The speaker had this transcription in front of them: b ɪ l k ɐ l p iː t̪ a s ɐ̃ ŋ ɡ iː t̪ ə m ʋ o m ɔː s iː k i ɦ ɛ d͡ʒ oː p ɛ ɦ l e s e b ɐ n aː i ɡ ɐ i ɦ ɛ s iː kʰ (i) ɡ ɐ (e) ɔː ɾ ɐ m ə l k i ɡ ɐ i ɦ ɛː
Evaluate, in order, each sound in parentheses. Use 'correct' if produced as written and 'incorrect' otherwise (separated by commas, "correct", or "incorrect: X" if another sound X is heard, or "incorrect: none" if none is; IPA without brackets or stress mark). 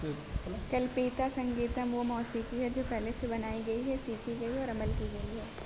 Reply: correct, incorrect: i